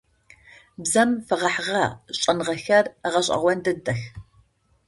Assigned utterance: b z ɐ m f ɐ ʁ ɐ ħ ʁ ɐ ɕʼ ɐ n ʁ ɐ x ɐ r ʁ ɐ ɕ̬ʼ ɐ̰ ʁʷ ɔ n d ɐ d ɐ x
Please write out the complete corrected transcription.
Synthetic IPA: b z ɐ m f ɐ ʁ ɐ ħ ʁ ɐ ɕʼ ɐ n ʁ ɐ x ɐ r ʁ ɐ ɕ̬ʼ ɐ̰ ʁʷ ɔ n d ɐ d ɐ x